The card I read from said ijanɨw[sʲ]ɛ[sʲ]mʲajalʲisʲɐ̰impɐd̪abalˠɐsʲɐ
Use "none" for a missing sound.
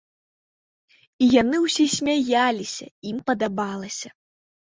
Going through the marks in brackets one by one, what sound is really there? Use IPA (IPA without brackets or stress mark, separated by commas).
sʲ, sʲ